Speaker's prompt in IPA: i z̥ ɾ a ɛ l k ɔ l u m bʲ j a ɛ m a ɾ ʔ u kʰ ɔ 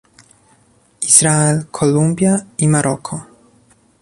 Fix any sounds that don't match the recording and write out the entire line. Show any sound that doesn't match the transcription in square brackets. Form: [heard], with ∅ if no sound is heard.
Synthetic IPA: i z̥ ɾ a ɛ l [kʰ] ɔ l u m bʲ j a [i] m a ɾ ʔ [ɔ] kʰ ɔ